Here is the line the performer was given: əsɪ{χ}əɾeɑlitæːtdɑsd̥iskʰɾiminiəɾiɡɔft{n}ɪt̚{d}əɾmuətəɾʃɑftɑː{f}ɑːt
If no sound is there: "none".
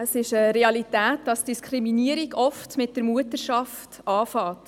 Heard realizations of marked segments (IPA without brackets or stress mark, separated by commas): ʃ, m, d, f